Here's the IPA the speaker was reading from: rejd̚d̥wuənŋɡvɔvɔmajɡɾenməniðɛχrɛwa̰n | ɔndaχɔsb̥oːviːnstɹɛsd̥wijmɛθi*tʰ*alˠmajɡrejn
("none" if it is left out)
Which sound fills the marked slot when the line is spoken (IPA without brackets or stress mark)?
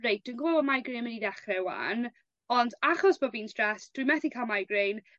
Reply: kʰ